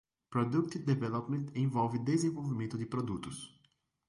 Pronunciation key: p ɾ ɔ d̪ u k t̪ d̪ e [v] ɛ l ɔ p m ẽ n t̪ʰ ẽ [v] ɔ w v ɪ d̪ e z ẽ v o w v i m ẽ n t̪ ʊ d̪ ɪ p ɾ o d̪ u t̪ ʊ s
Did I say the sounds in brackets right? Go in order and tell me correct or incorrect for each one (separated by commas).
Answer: correct, correct